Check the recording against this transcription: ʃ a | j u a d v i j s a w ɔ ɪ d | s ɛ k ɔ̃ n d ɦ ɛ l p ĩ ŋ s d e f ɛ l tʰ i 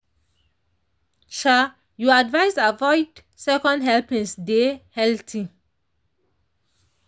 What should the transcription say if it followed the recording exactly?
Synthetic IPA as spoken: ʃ a | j u a d v a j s a v ɔ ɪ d | s ɛ k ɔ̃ n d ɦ ɛ l p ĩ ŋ s d e h ɛ l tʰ i